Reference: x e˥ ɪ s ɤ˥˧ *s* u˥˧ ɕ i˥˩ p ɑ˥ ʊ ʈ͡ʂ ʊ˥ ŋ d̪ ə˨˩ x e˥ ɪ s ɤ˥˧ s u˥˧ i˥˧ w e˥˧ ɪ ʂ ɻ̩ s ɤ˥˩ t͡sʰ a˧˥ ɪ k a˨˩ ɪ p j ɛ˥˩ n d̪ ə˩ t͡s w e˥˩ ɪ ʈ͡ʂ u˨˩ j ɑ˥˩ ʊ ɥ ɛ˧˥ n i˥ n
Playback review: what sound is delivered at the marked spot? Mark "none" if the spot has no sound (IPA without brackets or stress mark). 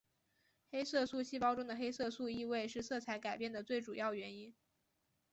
s